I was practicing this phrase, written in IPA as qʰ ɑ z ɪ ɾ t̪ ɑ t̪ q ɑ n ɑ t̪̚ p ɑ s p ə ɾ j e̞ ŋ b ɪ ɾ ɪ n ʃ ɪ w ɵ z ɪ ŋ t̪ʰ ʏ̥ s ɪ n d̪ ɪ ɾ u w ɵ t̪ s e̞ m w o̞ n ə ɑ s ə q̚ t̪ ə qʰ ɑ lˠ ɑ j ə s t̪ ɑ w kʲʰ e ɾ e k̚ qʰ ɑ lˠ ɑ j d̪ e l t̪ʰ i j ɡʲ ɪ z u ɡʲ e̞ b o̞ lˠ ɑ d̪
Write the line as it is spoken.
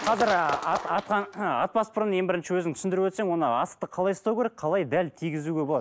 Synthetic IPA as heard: qʰ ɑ z ɪ ɾ t̪ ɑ t̪ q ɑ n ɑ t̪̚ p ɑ s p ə ɾ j e̞ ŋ b ɪ ɾ ɪ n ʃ ɪ w ɵ z ɪ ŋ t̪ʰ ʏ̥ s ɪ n d̪ ɪ ɾ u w ɵ t̪ s e̞ ŋ w o̞ n ə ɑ s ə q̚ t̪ ə qʰ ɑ lˠ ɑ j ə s t̪ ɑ w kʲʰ e ɾ e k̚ qʰ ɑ lˠ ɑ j d̪ æ l t̪ʰ i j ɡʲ ɪ z u ɡʲ e̞ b o̞ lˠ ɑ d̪